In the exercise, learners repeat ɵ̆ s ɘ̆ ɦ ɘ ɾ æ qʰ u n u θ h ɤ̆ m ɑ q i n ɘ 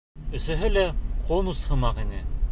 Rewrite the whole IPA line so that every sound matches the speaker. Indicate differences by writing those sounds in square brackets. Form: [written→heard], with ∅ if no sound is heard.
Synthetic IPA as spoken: ɵ̆ s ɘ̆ ɦ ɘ [ɾ→l] æ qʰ [u→o] n u [θ→s] h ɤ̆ m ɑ q i n ɘ